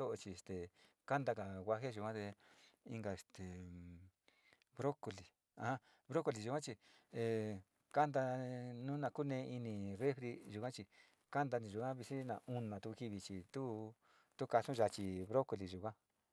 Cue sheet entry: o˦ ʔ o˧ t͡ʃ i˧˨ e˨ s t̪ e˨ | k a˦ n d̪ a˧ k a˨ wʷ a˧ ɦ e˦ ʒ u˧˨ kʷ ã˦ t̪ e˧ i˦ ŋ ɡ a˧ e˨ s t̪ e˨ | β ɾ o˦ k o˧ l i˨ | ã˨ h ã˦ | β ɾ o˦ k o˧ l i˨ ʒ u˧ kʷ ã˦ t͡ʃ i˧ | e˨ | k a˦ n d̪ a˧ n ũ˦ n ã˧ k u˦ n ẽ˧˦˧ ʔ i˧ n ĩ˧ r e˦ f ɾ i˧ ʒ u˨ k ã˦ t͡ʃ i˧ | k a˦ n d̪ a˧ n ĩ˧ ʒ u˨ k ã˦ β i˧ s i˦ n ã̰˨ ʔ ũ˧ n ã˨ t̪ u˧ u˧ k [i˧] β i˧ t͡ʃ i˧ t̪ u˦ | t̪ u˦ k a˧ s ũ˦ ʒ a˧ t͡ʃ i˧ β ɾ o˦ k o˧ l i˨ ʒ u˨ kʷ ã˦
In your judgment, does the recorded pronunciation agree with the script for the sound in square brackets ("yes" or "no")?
yes